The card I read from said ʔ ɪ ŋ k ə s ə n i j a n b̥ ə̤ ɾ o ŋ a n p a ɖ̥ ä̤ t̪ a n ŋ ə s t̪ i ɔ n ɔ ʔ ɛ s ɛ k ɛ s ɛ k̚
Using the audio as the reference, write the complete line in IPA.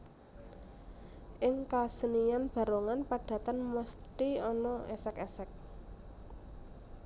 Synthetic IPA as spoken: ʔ ɪ ŋ k a s ə n i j a n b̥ a̤ ɾ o ŋ a n p a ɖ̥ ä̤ t̪ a n m ə s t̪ i ɔ n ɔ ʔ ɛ s ɛ k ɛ s ɛ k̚